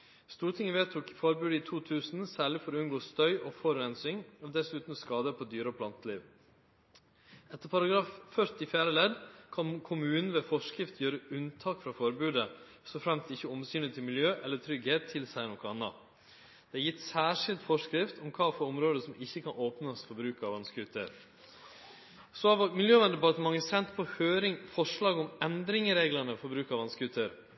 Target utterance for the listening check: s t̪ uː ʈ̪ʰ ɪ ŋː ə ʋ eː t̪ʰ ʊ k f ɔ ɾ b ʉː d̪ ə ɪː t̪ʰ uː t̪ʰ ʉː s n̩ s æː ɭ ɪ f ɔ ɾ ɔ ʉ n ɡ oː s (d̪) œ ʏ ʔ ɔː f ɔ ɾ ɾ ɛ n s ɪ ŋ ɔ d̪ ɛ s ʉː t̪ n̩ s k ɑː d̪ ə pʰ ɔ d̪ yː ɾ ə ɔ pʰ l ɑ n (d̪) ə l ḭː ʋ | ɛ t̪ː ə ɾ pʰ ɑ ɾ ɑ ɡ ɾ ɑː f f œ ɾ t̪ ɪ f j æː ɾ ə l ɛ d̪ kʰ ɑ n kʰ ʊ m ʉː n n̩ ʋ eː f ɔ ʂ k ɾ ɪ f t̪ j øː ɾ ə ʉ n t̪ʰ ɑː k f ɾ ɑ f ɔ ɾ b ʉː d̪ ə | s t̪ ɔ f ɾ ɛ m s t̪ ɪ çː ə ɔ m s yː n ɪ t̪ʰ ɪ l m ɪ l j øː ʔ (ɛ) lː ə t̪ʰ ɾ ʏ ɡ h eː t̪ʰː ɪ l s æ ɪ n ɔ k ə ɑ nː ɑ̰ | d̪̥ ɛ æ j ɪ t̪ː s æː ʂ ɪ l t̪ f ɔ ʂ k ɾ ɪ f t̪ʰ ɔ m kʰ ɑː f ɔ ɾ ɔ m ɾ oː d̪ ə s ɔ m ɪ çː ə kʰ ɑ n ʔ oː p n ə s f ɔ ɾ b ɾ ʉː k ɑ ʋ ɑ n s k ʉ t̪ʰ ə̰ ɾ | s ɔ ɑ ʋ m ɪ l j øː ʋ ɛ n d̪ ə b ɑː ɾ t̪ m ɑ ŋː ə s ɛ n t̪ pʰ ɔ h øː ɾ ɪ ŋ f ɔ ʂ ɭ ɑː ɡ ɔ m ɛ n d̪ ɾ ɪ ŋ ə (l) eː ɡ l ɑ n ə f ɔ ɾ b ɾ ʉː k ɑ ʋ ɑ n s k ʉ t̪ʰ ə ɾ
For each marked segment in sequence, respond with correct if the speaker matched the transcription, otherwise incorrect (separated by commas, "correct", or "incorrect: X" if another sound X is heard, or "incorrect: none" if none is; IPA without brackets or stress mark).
incorrect: t̪, incorrect: t̪, correct, incorrect: ɾ